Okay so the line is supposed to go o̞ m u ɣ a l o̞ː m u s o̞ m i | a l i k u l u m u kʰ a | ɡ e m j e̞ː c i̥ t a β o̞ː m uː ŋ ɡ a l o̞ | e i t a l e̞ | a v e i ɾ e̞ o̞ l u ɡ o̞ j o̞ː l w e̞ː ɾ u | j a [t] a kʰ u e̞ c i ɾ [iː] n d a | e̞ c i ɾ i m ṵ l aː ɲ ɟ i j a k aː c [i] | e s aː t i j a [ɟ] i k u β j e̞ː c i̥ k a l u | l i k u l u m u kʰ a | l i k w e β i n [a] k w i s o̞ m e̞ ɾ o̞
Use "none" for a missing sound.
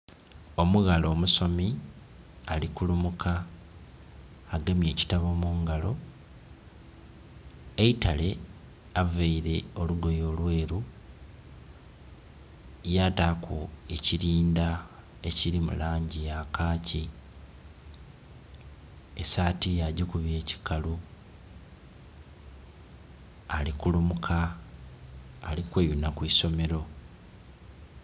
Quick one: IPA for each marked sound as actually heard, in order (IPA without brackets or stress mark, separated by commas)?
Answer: t, iː, i, ɟ, a